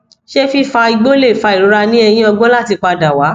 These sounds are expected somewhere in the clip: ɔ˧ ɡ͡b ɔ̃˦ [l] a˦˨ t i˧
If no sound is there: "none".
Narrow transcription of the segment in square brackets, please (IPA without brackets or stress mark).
l